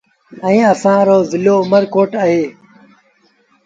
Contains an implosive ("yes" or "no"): no